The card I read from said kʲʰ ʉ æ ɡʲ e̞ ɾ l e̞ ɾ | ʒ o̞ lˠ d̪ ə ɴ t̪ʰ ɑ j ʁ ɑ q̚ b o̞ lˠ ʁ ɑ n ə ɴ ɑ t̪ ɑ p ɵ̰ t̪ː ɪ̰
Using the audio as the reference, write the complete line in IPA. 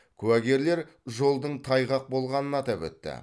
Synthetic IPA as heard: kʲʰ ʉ æ ɡʲ e̞ ɾ l e̞ ɾ | ʒ o̞ lˠ d̪ ə ɴ t̪ʰ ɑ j ʁ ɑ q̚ b o̞ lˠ ʁ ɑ n ə n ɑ t̪ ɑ p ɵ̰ t̪ː ɪ̰